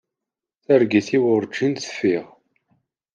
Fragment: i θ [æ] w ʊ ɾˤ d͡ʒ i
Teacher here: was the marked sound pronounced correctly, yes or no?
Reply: no